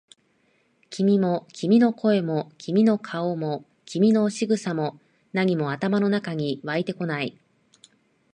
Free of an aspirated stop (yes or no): no